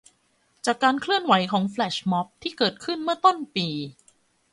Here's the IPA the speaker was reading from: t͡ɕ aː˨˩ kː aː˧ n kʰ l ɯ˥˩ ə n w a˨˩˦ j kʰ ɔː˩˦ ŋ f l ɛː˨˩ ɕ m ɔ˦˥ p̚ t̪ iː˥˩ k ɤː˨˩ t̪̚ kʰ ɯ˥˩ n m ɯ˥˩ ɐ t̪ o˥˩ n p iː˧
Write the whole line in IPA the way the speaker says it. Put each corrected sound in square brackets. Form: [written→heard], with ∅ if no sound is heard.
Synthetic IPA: t͡ɕ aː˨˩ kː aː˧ n kʰ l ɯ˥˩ ə n w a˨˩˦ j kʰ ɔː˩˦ ŋ f l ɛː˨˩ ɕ m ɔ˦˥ p̚ [t̪→t̪ʰ] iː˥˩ k ɤː˨˩ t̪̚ kʰ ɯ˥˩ n m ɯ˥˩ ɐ t̪ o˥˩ n p iː˧